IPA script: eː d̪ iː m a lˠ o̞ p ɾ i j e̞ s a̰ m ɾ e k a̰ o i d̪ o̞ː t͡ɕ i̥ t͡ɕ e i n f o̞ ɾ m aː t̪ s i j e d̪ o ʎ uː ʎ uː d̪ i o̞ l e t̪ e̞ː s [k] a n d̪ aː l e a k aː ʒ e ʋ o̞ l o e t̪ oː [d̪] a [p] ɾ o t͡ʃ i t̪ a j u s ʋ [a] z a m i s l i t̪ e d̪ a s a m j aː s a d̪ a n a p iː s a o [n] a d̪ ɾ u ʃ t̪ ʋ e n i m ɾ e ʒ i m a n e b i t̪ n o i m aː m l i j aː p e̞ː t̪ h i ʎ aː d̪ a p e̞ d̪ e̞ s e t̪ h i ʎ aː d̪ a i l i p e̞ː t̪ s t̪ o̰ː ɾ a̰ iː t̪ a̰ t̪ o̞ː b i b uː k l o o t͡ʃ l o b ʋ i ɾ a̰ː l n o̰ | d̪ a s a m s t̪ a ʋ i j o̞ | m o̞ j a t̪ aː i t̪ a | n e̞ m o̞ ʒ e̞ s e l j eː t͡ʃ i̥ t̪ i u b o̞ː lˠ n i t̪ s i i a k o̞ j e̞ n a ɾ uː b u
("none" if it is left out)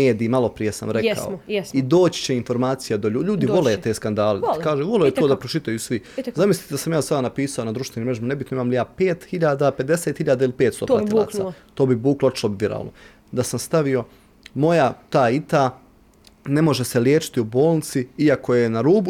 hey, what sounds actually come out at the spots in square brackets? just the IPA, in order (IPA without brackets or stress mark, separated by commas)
k, d̪, p, i, n